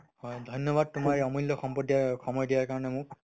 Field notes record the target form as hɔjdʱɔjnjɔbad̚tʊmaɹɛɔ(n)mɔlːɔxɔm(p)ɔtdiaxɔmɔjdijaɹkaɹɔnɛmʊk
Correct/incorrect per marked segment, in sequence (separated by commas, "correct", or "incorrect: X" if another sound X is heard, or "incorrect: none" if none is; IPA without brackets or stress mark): incorrect: none, correct